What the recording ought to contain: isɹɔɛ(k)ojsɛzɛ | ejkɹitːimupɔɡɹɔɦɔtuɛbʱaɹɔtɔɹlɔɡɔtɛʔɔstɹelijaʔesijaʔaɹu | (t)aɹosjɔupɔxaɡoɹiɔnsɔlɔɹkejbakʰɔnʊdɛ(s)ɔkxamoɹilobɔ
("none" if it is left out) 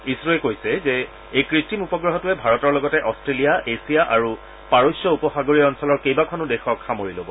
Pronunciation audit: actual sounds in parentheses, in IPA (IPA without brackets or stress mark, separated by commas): k, p, x